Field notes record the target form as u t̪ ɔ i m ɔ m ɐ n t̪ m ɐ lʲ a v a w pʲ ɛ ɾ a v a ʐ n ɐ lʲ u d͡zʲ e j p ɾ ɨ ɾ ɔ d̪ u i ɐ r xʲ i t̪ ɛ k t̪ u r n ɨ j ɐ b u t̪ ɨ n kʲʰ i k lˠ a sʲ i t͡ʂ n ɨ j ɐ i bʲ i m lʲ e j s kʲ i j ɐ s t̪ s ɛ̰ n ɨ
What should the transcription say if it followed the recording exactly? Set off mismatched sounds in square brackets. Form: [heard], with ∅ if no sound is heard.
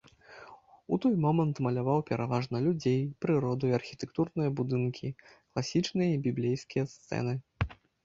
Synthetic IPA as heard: u t̪ ɔ [j] m ɔ m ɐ n t̪ m ɐ lʲ a v a w pʲ ɛ ɾ a v a ʐ n ɐ lʲ u d͡zʲ e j p ɾ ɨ ɾ ɔ d̪ u i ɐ r xʲ i t̪ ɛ k t̪ u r n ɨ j ɐ b u [d̪] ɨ n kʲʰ i k lˠ a sʲ i t͡ʂ n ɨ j ɐ i bʲ i [b] lʲ e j s kʲ i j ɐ s t̪ s ɛ̰ n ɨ